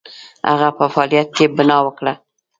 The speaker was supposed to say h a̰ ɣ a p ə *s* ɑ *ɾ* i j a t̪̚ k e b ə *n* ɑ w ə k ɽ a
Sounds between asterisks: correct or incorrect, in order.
incorrect, incorrect, correct

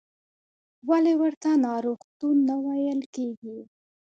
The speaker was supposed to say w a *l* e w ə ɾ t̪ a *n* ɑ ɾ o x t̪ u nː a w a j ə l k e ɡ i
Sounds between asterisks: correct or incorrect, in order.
correct, correct

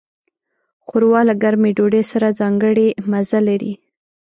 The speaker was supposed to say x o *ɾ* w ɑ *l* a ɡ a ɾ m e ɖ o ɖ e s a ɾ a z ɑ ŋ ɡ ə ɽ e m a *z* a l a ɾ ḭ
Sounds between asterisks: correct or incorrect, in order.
correct, correct, correct

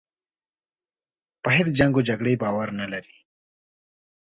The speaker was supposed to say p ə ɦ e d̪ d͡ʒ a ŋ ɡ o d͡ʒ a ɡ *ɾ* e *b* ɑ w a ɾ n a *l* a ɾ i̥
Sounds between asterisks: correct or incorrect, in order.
incorrect, correct, correct

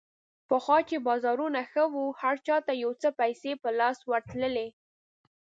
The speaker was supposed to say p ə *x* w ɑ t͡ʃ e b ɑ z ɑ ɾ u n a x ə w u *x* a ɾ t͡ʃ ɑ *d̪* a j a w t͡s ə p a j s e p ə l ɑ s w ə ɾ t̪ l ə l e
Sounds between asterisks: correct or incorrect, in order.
correct, incorrect, incorrect

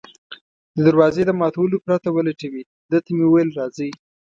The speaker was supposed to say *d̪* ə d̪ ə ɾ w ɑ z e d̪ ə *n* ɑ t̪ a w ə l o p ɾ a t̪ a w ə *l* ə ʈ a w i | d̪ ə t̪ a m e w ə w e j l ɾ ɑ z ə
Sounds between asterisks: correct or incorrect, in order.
correct, incorrect, correct

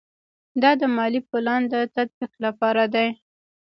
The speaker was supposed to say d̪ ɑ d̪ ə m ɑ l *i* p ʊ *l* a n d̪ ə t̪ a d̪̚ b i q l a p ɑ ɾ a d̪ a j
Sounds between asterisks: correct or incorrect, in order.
correct, correct

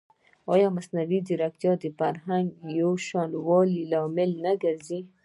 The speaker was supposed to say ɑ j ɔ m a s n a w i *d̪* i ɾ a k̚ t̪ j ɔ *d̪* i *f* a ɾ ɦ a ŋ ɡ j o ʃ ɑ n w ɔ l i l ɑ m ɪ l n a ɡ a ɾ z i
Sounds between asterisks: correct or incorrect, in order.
correct, correct, correct

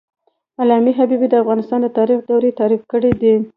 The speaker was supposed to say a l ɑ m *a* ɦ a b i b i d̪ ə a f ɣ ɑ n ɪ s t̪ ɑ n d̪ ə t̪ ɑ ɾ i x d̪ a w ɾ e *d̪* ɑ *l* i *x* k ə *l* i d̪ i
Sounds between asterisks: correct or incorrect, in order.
incorrect, incorrect, incorrect, incorrect, incorrect

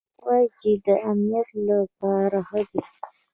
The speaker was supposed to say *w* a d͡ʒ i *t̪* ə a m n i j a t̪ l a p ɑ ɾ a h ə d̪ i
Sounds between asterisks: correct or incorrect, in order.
correct, incorrect

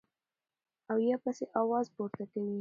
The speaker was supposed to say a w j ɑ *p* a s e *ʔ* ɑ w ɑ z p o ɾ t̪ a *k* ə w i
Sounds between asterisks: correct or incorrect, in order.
correct, correct, correct

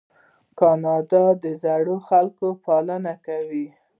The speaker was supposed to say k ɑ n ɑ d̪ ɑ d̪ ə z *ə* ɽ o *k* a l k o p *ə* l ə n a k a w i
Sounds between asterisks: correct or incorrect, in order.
incorrect, incorrect, incorrect

